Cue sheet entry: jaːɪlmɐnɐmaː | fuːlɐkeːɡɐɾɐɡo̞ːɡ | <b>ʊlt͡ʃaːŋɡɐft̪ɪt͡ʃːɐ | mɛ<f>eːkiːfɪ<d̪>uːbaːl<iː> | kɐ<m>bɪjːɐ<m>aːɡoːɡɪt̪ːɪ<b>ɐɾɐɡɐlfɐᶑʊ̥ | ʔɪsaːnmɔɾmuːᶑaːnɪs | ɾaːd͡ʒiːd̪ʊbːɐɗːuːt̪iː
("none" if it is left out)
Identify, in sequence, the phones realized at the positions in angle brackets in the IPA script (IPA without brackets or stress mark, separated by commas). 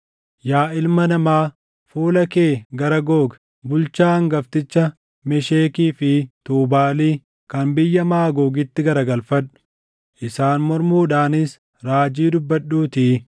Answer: b, ʃ, t̪, iː, n, m, ɡ